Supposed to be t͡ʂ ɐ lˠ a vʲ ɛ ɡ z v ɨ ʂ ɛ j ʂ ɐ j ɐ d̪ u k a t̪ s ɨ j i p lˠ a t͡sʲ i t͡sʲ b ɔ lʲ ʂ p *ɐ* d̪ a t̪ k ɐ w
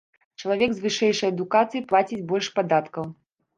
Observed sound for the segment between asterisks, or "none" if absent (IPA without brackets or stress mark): a